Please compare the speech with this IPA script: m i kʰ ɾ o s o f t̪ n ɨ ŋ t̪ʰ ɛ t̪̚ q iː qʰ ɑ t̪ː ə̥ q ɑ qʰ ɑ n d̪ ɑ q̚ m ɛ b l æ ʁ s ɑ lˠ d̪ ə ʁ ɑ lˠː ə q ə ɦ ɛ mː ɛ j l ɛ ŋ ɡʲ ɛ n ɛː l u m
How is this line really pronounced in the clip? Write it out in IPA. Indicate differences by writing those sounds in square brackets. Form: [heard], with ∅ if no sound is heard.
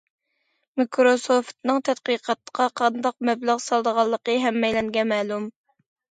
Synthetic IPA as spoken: m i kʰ ɾ o s o f t̪ n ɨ ŋ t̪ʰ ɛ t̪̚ q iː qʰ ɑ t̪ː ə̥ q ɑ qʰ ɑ n d̪ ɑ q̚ m ɛ b l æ ʁ s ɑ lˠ d̪ ə ʁ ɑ lˠː ə q ə ɦ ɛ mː ɛ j l ɛ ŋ ɡʲ ɛ [m] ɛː l u m